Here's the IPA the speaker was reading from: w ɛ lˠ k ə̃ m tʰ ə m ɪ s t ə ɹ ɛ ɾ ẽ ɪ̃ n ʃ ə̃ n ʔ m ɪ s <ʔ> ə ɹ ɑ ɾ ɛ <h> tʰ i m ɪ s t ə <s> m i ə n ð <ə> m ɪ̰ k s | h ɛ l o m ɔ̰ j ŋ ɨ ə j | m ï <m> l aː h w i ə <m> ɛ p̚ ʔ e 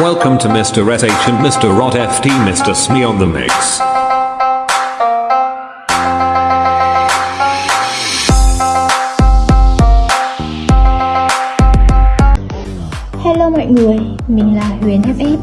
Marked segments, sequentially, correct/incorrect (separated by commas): incorrect, incorrect, correct, correct, incorrect, incorrect